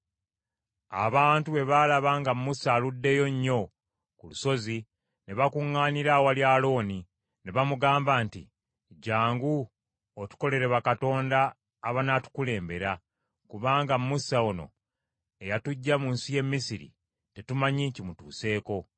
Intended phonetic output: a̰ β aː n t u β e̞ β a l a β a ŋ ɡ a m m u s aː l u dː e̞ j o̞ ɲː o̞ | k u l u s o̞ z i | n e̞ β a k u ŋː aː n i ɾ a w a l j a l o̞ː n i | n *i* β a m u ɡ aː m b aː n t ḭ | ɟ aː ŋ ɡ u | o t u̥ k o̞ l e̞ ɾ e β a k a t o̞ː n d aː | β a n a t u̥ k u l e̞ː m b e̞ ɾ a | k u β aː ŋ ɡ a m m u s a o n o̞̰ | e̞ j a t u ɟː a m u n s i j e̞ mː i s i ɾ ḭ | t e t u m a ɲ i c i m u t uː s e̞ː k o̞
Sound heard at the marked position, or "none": e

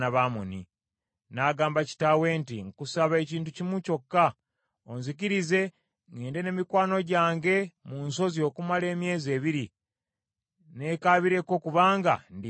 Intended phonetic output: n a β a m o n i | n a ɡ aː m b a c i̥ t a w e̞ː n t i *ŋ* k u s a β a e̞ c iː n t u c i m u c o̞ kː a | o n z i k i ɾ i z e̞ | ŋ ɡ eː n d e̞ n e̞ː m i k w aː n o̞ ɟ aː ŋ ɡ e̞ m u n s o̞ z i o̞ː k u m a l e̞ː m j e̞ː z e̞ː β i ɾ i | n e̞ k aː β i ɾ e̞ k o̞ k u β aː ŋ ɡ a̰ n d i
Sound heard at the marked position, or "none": ŋ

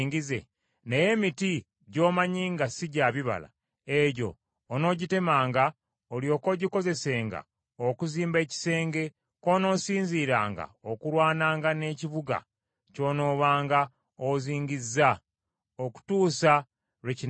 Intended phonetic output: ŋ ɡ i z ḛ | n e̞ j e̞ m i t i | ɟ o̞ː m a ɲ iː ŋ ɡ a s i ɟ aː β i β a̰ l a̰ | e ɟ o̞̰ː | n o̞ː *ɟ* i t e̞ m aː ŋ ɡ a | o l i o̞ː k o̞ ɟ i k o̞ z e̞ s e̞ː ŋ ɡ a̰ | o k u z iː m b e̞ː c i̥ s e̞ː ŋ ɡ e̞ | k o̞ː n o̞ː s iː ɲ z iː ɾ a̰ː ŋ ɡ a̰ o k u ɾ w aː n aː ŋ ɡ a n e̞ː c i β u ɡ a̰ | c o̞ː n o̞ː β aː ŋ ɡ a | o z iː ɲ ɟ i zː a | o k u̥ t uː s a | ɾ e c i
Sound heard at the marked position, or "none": ɟ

